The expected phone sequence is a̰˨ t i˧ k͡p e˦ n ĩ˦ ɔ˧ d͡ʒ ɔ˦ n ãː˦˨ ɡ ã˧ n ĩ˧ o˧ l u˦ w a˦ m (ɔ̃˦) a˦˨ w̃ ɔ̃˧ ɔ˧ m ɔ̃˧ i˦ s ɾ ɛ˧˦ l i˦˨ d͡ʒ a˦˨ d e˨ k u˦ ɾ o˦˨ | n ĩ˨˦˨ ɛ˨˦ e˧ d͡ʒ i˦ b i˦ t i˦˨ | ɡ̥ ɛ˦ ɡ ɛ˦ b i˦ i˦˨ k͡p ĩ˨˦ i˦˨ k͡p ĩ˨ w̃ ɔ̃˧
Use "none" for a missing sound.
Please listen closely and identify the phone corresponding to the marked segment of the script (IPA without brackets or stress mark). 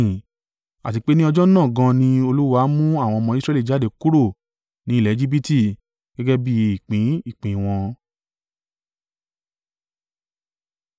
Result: ũ˦